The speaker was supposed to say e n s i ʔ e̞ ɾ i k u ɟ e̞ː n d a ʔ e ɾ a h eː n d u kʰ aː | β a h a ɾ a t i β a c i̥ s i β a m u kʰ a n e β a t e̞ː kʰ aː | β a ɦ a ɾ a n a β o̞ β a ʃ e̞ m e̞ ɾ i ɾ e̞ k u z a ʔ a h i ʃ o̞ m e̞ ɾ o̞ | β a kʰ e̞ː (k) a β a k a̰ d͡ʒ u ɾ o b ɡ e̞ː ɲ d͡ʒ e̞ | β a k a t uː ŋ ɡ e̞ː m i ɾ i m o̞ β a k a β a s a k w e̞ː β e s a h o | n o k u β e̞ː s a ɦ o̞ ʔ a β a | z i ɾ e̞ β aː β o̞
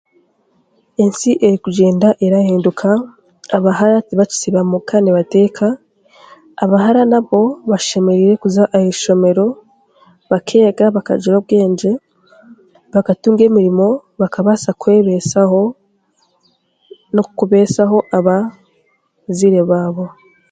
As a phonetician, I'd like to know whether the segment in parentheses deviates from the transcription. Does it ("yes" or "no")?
yes